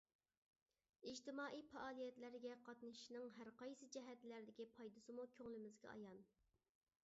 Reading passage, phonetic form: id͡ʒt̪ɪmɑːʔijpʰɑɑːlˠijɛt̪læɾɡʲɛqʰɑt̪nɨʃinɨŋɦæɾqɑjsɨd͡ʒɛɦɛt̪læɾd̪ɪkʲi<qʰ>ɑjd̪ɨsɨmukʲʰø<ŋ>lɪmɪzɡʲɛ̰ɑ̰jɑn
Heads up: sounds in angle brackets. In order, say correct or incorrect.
incorrect, correct

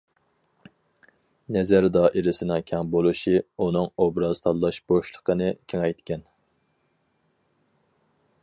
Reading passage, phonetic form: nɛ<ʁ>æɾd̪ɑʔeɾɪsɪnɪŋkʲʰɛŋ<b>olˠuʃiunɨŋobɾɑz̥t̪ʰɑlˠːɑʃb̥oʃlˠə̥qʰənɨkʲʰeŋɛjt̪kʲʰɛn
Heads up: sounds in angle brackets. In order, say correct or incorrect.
incorrect, correct

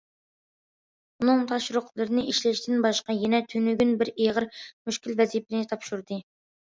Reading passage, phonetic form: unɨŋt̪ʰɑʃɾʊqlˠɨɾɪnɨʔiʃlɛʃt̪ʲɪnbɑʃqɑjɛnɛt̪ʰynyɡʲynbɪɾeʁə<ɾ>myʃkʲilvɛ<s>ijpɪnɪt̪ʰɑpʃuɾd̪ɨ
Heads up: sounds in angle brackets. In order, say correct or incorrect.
correct, incorrect

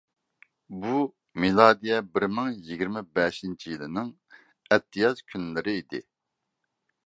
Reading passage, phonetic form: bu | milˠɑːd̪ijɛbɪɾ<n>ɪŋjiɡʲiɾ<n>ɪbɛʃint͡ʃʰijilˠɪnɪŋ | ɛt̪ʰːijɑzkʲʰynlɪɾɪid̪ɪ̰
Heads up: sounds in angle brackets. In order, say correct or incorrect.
incorrect, incorrect

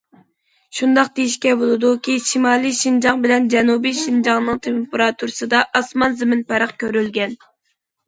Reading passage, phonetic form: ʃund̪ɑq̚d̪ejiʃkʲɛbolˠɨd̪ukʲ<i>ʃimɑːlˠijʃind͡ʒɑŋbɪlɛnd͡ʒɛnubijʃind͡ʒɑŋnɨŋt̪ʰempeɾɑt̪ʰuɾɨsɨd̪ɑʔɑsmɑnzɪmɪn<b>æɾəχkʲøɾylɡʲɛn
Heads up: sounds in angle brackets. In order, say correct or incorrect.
correct, incorrect

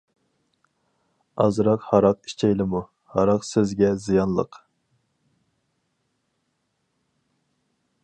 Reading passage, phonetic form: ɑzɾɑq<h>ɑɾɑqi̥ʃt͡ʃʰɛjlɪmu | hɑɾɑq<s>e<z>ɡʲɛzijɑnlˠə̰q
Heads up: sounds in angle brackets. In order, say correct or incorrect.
correct, correct, correct

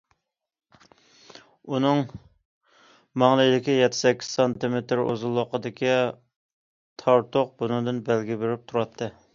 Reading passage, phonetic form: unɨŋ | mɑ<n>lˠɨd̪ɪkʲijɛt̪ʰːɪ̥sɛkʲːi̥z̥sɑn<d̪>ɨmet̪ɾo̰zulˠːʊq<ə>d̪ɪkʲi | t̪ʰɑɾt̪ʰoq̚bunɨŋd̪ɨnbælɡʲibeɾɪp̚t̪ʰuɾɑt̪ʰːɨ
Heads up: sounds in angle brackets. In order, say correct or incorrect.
incorrect, incorrect, correct

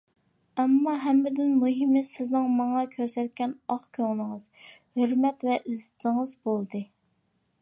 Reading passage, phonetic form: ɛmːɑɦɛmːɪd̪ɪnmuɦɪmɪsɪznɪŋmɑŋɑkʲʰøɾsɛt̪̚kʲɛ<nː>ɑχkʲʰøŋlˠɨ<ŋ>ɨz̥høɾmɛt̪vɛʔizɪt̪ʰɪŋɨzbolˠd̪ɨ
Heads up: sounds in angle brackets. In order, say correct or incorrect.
incorrect, correct

